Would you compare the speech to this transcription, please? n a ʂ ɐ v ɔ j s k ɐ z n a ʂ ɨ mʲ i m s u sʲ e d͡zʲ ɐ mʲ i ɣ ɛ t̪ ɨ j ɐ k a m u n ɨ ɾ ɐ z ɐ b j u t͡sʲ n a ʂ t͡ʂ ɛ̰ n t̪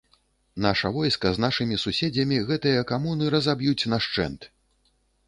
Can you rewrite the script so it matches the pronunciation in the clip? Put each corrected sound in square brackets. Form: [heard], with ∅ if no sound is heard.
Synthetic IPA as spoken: n a ʂ ɐ v ɔ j s k ɐ z n a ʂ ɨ mʲ i [∅] s u sʲ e d͡zʲ ɐ mʲ i ɣ ɛ t̪ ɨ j ɐ k a m u n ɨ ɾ ɐ z [a] b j u t͡sʲ n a ʂ t͡ʂ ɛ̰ n t̪